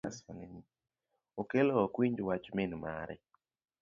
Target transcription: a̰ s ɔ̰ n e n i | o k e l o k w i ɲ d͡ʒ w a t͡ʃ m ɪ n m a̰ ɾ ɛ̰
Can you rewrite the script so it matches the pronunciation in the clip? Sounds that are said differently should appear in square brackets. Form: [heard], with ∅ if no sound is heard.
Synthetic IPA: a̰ s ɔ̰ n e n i | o k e l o k w i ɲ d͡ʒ w a t͡ʃ m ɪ n m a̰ ɾ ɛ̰

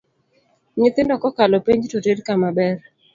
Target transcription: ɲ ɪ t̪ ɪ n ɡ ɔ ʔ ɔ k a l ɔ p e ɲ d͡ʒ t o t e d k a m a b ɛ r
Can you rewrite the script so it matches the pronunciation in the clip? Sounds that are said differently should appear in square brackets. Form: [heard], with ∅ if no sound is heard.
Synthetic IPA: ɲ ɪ t̪ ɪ n [d] ɔ [k] ɔ k a l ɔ p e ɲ d͡ʒ t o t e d k a m a b ɛ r

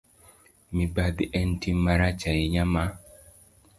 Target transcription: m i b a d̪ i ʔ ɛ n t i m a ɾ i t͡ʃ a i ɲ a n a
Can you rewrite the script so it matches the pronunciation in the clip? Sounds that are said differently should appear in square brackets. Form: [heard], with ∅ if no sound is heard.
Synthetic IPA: m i b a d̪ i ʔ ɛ n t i m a ɾ [a] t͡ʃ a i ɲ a [m] a

